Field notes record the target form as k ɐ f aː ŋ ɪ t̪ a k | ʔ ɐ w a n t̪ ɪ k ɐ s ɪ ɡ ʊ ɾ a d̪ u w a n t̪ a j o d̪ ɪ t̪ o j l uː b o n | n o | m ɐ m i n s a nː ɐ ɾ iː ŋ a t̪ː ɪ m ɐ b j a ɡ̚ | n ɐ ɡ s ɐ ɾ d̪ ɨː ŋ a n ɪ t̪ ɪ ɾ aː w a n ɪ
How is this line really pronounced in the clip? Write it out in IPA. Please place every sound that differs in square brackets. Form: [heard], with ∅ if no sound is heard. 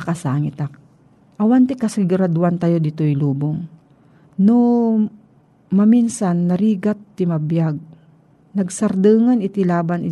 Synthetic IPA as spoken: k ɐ [s] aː ŋ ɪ t̪ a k | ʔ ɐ w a n t̪ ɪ k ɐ s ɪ ɡ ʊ ɾ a d̪ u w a n t̪ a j o d̪ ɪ t̪ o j l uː b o [ŋ] | n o | m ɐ m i n s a nː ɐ ɾ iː [ɡ] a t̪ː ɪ m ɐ b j a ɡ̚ | n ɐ ɡ s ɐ ɾ d̪ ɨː ŋ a n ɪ t̪ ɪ [l] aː [b] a n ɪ